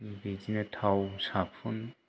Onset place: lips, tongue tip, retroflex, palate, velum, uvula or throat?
lips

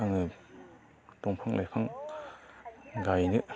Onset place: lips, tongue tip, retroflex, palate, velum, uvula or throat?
velum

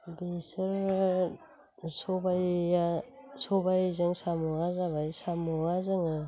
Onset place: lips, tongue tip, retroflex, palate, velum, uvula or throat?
lips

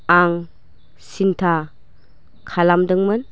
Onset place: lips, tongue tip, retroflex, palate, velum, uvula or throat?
velum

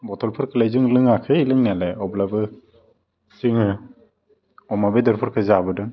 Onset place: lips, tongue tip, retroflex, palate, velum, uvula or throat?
lips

